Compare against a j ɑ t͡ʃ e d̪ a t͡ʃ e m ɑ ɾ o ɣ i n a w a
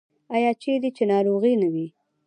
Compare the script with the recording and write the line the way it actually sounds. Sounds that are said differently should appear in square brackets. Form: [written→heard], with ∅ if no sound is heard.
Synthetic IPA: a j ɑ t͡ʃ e d̪ [a→i] t͡ʃ e [m→n] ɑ ɾ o ɣ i n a w [a→i]